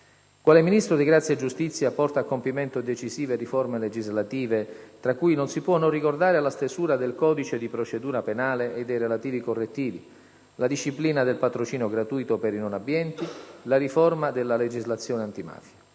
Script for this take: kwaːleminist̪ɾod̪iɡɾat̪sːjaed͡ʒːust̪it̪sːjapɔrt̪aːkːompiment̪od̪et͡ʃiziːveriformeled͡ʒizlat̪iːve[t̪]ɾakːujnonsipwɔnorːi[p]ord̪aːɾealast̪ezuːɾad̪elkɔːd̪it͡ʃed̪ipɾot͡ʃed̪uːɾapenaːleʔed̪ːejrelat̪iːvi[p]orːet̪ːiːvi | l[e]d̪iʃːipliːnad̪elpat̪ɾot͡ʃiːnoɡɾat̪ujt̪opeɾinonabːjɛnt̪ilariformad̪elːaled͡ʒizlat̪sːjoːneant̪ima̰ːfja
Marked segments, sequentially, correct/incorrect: correct, incorrect, incorrect, incorrect

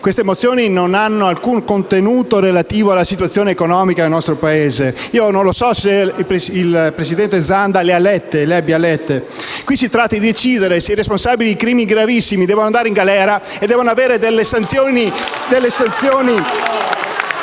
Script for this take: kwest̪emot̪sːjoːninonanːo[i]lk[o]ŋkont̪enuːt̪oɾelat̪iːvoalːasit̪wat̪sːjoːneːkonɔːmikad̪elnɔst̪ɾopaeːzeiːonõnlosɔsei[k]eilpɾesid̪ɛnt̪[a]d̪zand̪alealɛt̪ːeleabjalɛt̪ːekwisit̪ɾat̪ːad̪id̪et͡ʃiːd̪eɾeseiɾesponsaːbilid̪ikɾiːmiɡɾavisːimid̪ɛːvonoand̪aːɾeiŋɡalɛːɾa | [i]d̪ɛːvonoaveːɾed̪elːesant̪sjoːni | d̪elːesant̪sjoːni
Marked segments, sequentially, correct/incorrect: incorrect, incorrect, incorrect, incorrect, incorrect

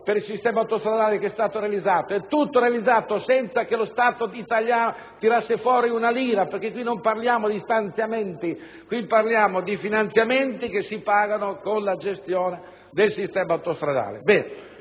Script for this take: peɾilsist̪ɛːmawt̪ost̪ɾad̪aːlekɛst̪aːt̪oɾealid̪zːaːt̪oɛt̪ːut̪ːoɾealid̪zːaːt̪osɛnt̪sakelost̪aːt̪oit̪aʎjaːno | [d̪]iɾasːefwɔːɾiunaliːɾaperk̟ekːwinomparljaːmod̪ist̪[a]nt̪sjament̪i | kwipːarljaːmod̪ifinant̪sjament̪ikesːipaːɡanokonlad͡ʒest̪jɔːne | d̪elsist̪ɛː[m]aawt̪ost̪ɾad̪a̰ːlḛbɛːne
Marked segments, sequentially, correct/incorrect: incorrect, correct, correct

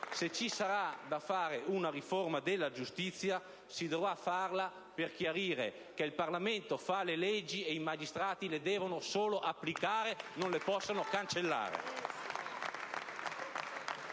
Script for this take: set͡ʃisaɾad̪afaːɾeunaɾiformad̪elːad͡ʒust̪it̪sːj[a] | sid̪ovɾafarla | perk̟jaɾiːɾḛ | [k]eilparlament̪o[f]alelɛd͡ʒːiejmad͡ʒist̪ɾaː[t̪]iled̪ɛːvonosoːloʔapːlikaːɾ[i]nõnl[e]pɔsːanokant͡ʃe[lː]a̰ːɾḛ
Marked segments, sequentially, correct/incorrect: correct, correct, correct, correct, incorrect, correct, correct

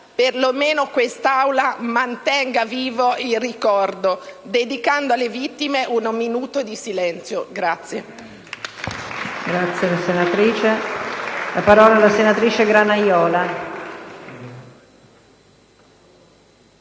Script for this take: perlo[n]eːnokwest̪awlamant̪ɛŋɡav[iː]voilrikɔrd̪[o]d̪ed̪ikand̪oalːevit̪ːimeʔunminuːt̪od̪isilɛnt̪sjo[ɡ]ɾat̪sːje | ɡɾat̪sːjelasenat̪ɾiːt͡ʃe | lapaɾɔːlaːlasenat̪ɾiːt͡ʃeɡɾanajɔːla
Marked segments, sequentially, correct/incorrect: incorrect, correct, correct, correct

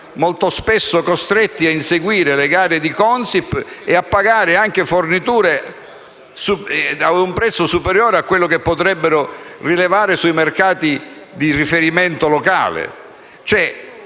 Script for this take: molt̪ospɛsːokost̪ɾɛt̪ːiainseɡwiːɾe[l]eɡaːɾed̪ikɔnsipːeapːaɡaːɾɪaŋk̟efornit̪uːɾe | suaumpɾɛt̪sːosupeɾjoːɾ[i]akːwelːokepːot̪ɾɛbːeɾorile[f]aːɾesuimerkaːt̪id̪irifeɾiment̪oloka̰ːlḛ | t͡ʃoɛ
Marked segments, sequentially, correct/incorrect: correct, incorrect, incorrect

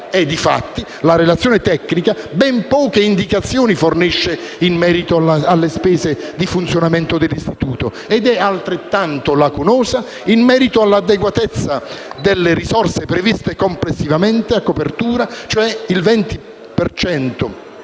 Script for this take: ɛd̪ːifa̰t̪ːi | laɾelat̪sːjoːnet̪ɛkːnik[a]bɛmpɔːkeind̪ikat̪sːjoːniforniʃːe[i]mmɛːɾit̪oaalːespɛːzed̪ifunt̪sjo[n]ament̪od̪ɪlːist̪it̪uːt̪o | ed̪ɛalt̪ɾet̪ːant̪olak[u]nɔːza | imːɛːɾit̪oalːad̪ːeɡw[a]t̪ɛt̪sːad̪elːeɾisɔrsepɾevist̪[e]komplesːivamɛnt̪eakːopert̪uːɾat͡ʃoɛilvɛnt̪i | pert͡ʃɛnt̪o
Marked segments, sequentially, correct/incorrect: correct, correct, correct, correct, correct, correct

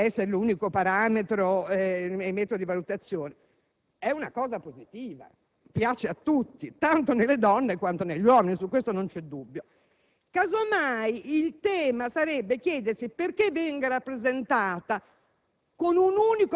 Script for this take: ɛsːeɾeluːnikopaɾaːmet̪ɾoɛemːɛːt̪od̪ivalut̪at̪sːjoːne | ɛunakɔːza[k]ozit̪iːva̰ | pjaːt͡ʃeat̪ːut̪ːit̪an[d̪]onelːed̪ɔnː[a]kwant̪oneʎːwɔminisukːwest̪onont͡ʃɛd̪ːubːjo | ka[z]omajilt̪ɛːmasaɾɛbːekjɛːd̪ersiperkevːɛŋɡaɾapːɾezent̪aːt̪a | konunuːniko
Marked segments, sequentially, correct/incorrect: incorrect, incorrect, incorrect, correct

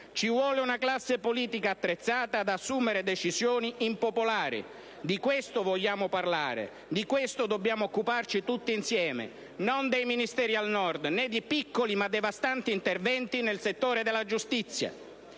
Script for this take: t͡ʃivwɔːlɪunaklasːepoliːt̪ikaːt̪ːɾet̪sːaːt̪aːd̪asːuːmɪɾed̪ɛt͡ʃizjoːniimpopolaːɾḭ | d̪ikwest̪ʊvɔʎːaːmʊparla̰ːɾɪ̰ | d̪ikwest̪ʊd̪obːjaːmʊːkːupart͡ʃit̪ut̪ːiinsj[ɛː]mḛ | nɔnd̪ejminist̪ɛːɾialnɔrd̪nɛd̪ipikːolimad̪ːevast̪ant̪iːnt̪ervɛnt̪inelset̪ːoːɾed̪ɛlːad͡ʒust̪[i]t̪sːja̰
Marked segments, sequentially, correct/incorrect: correct, correct

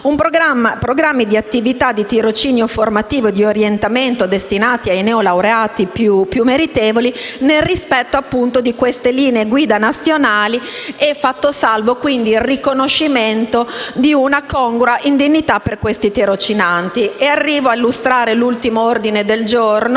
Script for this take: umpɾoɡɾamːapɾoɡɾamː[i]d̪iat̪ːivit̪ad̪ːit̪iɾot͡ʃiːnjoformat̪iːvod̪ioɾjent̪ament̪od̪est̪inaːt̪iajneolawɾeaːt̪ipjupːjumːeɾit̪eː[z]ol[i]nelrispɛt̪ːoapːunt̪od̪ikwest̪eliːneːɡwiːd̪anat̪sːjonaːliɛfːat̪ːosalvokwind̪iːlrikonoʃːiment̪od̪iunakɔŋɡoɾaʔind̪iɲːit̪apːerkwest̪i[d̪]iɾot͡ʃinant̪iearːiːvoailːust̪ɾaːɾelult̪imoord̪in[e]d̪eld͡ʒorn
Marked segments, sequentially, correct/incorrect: correct, incorrect, correct, incorrect, correct

